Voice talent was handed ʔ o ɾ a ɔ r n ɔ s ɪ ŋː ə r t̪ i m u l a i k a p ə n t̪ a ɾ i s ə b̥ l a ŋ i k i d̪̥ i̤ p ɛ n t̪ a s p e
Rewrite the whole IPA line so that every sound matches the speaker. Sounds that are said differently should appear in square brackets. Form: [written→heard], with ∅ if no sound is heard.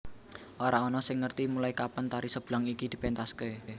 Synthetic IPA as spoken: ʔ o ɾ a ɔ [r→∅] n ɔ s ɪ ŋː ə r t̪ i m u l a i k a p ə n t̪ a ɾ i s ə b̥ l a ŋ i k i d̪̥ i̤ p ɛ n t̪ a s [p→k] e